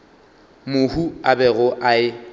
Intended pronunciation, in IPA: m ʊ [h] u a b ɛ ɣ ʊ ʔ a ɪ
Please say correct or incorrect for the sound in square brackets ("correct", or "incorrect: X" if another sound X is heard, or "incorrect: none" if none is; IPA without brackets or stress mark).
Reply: correct